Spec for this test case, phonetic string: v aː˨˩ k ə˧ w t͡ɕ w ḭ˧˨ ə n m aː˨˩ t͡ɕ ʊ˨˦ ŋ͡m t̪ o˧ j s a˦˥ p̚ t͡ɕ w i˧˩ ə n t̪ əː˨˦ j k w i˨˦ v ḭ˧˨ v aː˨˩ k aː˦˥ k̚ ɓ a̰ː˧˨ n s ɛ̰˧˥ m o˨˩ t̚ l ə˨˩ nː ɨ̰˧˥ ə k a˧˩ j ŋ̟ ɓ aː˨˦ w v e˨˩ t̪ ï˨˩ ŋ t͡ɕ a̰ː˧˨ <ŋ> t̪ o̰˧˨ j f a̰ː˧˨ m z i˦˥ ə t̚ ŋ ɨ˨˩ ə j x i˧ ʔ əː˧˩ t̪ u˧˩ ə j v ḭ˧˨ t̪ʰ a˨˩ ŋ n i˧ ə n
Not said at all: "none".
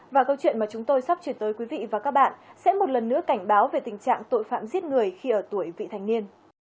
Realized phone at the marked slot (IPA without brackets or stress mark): ŋ